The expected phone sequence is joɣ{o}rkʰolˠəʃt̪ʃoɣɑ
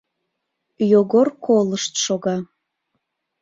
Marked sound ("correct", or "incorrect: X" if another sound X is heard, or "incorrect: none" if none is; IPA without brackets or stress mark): correct